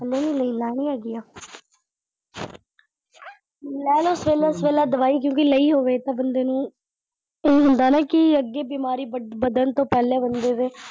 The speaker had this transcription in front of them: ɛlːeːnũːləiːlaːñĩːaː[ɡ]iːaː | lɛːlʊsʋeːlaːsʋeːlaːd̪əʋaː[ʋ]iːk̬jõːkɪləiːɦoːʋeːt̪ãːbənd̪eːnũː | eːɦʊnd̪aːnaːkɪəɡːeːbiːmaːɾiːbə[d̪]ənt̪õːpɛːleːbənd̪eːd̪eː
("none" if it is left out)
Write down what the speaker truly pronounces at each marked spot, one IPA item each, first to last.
ɡ, none, d̪

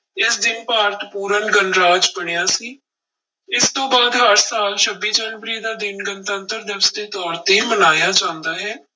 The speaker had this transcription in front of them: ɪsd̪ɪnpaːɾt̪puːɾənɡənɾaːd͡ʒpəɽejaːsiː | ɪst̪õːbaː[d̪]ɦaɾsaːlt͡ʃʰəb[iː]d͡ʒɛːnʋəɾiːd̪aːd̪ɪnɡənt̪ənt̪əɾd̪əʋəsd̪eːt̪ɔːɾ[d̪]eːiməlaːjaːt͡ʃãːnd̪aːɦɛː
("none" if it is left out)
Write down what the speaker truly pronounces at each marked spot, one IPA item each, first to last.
d̪, iː, t̪

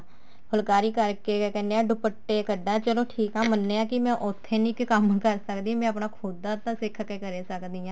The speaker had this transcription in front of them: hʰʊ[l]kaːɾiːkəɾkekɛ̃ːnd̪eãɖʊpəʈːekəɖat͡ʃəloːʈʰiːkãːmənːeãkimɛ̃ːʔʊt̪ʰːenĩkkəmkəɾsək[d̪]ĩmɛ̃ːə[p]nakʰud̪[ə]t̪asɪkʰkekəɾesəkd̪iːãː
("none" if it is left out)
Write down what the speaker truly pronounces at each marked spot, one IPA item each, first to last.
l, d̪, p, a

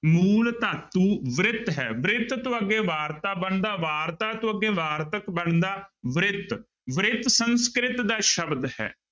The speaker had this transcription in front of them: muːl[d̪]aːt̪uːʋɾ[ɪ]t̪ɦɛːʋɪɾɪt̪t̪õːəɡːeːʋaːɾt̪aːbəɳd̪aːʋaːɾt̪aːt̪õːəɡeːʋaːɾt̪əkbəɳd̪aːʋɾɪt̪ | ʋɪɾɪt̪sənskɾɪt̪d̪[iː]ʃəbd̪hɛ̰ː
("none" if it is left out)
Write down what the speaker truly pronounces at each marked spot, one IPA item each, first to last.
t̪, ɪ, aː

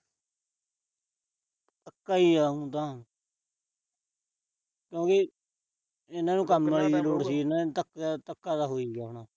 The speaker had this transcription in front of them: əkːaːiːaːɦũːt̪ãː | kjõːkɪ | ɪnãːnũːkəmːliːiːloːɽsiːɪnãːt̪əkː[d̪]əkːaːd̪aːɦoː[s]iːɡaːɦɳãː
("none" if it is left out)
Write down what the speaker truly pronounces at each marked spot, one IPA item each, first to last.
t̪, none

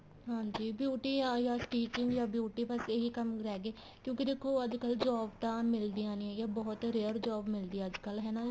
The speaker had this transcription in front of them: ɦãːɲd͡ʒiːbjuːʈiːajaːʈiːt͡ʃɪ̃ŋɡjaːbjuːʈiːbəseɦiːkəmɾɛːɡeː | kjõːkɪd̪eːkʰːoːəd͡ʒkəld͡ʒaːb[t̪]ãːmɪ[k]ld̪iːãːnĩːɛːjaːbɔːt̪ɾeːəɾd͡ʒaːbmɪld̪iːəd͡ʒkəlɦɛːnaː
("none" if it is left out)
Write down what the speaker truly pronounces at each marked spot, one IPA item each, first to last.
t̪, none

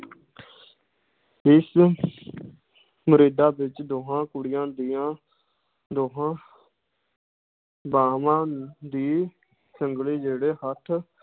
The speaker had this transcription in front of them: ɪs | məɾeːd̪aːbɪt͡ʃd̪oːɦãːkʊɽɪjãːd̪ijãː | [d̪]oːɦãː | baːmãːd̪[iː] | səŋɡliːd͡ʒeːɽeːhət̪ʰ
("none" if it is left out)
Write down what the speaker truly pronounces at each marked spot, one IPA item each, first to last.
d̪, iː

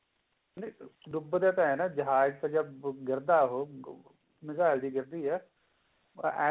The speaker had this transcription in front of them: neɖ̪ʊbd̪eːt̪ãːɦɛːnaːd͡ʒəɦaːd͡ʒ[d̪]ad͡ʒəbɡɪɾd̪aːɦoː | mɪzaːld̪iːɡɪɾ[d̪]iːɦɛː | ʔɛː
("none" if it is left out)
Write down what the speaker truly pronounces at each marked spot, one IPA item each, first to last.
t̪, d̪

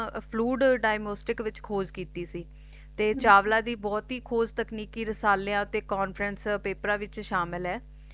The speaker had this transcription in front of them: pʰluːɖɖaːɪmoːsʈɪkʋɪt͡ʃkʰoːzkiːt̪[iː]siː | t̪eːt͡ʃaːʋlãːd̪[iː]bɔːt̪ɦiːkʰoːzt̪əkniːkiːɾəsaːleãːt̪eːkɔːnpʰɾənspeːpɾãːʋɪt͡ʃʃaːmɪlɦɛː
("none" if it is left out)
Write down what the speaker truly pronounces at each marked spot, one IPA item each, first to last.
iː, iː

